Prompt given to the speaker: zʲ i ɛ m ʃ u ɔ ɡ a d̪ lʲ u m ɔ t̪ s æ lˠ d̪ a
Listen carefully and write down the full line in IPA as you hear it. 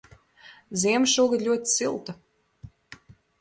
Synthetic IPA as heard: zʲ i ɛ m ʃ u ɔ ɡ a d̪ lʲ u ɔ t̪ s i lˠ t̪ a